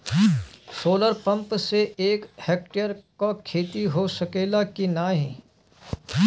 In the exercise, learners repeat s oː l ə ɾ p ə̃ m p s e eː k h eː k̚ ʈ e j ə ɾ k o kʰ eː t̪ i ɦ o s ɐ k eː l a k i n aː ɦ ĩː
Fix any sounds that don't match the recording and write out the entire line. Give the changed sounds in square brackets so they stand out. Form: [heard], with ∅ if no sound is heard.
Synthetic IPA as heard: s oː l ə ɾ p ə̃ m p s e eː k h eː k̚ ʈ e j ə ɾ k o kʰ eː t̪ i ɦ o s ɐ k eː l a k i n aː ɦ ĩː